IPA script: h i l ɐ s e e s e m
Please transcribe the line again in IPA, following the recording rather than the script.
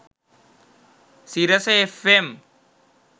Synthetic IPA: s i ɾ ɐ s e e f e m